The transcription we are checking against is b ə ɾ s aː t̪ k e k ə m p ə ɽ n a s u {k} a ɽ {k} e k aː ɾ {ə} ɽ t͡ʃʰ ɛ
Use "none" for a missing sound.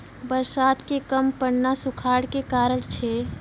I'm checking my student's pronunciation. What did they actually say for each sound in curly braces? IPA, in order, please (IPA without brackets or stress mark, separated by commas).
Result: kʰ, k, ə